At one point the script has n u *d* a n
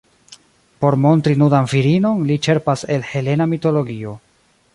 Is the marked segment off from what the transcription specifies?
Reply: no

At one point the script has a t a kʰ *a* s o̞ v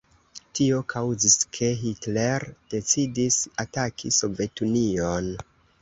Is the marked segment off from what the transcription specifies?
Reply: yes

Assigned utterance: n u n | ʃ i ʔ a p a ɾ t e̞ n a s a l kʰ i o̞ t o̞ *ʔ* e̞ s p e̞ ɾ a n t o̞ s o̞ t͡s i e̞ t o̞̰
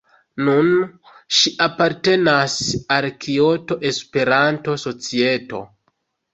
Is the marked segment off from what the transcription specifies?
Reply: no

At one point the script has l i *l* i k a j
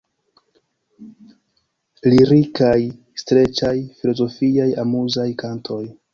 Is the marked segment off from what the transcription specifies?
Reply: yes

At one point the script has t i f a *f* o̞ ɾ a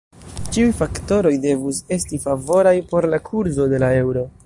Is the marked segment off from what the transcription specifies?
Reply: yes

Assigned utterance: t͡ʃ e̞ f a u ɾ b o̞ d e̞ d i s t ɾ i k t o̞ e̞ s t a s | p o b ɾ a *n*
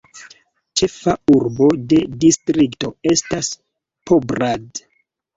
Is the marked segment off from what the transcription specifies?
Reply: yes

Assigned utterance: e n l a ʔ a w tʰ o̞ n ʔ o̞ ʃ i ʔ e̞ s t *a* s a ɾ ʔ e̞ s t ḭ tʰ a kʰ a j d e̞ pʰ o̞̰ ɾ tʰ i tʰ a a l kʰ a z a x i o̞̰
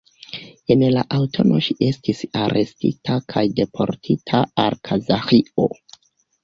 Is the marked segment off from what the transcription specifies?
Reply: yes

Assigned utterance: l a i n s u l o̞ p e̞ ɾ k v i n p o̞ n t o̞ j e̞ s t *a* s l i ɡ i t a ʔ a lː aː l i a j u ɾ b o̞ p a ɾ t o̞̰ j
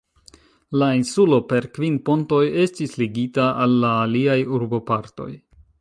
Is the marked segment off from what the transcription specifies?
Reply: yes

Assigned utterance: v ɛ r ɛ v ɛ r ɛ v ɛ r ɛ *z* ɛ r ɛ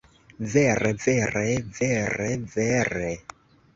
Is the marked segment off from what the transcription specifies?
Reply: yes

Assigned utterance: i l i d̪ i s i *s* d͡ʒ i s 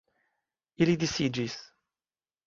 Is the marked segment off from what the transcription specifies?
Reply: yes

